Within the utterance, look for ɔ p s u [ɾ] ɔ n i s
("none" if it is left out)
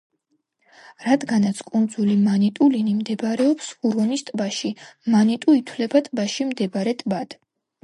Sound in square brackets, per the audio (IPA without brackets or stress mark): ɾ